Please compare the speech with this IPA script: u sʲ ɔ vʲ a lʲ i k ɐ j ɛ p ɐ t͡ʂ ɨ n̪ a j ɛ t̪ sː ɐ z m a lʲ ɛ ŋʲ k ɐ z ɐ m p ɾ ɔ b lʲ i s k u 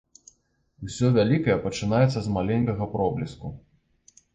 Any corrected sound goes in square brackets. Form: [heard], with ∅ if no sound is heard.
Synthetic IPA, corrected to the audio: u sʲ ɔ vʲ a lʲ i k ɐ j ɛ p ɐ t͡ʂ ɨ n̪ a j ɛ t̪ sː ɐ z m a lʲ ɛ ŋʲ k ɐ [ɣ] ɐ [∅] p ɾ ɔ b lʲ i s k u

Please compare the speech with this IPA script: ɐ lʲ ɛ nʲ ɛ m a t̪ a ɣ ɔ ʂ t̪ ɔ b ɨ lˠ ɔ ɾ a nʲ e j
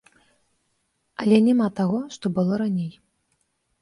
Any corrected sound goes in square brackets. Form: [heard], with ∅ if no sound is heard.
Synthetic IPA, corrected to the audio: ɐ lʲ ɛ nʲ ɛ m a t̪ a ɣ ɔ ʂ t̪ ɔ b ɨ lˠ ɔ ɾ a nʲ e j

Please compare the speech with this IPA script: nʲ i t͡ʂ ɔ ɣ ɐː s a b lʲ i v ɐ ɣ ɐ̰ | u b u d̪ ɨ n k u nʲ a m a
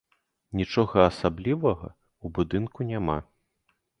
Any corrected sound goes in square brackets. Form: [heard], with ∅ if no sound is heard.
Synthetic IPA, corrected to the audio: nʲ i t͡ʂ ɔ ɣ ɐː s a b lʲ i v ɐ ɣ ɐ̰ | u b u d̪ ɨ n k u nʲ a m a

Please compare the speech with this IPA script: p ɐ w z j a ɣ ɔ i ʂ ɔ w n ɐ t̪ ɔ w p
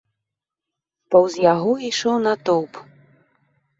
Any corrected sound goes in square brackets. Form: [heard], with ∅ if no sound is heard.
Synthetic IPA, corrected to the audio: p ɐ w z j a ɣ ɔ i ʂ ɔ w n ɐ t̪ ɔ w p

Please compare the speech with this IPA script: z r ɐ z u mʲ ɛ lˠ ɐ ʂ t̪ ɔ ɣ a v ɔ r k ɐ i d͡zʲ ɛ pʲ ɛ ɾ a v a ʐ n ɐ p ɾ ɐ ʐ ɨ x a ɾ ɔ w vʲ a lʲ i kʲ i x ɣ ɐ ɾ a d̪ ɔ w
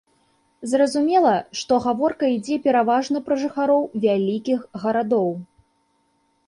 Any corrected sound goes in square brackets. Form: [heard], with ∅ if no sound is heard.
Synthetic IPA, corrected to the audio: z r ɐ z u mʲ ɛ lˠ ɐ ʂ t̪ ɔ ɣ a v ɔ r k ɐ i d͡zʲ ɛ pʲ ɛ ɾ a v a ʐ n ɐ p ɾ ɐ ʐ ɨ x a ɾ ɔ w vʲ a lʲ i kʲ i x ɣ ɐ ɾ a d̪ ɔ w

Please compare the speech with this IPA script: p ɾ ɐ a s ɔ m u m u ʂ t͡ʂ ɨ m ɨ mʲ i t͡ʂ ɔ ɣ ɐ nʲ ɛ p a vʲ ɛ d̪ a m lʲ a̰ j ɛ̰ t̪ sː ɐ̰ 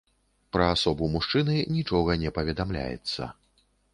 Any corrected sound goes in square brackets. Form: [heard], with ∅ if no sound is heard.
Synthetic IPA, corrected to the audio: p ɾ ɐ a s ɔ [b] u m u ʂ t͡ʂ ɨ [n] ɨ [nʲ] i t͡ʂ ɔ ɣ ɐ nʲ ɛ p [ɐ] vʲ ɛ d̪ a m lʲ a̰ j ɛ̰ t̪ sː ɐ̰

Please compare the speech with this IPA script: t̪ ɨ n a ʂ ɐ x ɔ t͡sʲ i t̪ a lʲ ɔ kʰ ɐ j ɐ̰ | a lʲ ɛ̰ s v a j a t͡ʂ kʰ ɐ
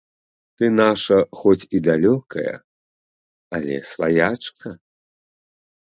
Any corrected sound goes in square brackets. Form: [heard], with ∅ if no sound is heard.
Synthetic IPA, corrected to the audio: t̪ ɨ n a ʂ ɐ x ɔ t͡sʲ i [d̪] a lʲ ɔ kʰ ɐ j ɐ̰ | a lʲ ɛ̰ s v a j a t͡ʂ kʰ ɐ

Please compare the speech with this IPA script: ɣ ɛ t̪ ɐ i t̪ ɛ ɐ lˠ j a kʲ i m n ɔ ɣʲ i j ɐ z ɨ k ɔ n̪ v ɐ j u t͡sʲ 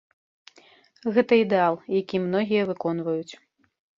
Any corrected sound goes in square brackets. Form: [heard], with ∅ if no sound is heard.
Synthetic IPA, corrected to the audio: ɣ ɛ t̪ ɐ i [d̪] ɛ [a] lˠ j a kʲ i m n ɔ ɣʲ i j ɐ [v] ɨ k ɔ n̪ v ɐ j u t͡sʲ

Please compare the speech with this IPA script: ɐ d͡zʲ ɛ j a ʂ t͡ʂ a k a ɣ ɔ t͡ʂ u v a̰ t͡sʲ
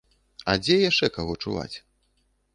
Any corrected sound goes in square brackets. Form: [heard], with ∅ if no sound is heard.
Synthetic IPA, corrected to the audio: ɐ d͡zʲ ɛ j a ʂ t͡ʂ [ɛ] k a ɣ ɔ t͡ʂ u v a̰ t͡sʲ

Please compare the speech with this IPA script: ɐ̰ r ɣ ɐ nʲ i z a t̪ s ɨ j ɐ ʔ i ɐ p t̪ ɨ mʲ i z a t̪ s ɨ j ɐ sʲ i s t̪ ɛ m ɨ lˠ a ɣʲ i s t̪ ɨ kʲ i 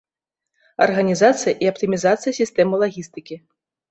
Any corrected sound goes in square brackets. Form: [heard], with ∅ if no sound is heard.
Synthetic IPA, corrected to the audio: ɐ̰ r ɣ ɐ nʲ i z a t̪ s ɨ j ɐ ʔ i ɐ p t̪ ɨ mʲ i z a t̪ s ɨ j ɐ sʲ i s t̪ ɛ m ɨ lˠ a ɣʲ i s t̪ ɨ kʲ i

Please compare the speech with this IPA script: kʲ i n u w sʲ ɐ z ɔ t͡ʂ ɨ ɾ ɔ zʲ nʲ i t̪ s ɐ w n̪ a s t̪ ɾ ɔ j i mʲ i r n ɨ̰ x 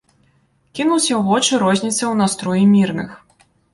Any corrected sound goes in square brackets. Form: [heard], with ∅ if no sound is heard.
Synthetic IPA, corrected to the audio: kʲ i n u w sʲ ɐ [ɣ] ɔ t͡ʂ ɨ ɾ ɔ zʲ nʲ i t̪ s ɐ w n̪ a s t̪ ɾ ɔ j i mʲ i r n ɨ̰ x

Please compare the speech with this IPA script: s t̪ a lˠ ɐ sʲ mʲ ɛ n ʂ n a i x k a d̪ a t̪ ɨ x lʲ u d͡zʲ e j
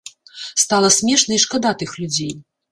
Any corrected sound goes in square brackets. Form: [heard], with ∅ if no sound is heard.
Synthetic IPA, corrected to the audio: s t̪ a lˠ ɐ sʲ mʲ ɛ [∅] ʂ n [ɐ] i [ʂ] k a d̪ a t̪ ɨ x lʲ u d͡zʲ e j

